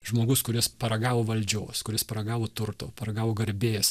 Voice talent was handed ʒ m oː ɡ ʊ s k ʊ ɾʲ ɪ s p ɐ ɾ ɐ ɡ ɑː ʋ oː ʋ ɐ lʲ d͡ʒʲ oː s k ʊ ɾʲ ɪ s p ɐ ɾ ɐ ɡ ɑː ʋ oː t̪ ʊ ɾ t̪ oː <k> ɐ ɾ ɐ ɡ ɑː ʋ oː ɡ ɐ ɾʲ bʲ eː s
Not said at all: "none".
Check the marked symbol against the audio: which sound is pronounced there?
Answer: p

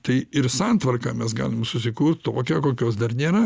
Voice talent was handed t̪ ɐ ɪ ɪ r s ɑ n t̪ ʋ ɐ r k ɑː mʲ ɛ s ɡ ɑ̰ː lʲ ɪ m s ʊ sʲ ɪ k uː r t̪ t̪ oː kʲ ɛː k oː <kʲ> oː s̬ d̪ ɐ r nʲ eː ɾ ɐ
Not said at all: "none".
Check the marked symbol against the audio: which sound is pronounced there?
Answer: kʲ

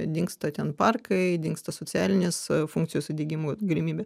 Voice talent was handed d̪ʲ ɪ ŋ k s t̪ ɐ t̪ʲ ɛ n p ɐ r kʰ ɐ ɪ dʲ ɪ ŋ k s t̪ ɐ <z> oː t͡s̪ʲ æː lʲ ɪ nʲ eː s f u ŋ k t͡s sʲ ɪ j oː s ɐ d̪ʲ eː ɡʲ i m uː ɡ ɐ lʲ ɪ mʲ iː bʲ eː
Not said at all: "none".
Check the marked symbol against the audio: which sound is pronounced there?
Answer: s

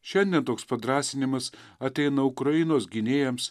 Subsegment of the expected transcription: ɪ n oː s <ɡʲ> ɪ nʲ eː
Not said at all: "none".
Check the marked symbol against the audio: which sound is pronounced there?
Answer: ɡʲ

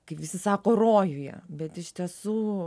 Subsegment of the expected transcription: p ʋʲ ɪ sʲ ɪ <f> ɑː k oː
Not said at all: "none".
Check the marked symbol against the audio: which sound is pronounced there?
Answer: s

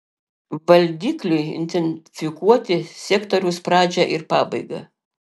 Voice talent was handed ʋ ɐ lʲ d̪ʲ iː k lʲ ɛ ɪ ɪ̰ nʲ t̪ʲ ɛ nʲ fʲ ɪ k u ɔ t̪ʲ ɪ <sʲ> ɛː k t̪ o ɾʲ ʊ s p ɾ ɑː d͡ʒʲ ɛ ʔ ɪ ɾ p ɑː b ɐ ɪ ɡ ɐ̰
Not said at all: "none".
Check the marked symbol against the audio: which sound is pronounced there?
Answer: sʲ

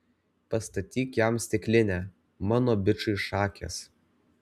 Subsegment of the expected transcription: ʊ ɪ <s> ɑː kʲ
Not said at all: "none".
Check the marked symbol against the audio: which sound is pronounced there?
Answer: ʃ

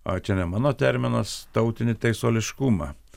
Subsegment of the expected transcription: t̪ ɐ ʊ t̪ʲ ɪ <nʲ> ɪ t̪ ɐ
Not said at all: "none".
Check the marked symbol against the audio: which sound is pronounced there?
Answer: nʲ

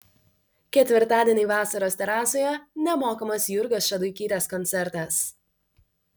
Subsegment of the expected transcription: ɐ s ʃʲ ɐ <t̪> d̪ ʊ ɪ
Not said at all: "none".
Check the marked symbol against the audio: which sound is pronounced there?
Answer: none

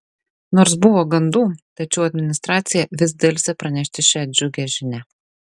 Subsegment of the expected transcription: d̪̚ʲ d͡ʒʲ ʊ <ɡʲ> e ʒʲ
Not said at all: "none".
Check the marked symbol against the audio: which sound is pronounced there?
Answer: ɡʲ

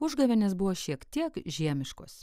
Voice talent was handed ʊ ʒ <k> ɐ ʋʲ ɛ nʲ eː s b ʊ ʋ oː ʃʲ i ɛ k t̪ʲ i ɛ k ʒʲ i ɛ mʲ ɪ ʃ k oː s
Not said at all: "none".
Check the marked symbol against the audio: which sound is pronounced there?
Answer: ɡ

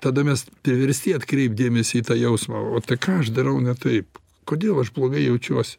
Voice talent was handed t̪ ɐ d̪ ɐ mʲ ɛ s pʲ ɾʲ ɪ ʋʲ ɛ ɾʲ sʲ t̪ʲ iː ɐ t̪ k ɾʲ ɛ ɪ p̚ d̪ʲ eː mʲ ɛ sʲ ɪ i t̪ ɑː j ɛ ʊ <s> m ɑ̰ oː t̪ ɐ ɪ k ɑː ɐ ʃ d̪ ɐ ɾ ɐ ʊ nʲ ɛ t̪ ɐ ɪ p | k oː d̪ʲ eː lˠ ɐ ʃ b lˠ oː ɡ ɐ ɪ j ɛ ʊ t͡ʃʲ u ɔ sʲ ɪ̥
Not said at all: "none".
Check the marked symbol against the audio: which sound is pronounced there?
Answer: s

